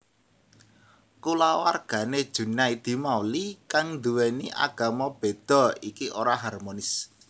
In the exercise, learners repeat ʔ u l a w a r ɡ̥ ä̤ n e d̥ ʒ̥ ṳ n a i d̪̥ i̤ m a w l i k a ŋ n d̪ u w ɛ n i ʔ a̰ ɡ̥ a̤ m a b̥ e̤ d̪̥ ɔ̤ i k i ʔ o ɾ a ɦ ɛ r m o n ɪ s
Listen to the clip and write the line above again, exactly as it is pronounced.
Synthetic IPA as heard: k u l a w a r ɡ̥ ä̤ n e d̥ ʒ̥ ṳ n a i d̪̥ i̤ m a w l i k a ŋ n d̪ u w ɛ n i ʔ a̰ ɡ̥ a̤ m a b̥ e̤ d̪̥ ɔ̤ i k i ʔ o ɾ a ɦ a r m o n ɪ s